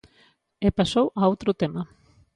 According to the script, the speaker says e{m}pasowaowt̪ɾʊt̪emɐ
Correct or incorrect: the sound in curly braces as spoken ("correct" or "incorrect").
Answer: incorrect